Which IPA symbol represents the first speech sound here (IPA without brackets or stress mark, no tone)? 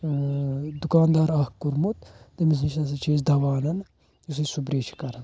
d̪